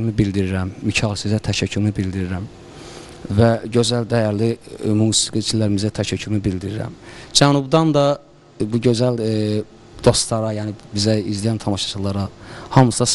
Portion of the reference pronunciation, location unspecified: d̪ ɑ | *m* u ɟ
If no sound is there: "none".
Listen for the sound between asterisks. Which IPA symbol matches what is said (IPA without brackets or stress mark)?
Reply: b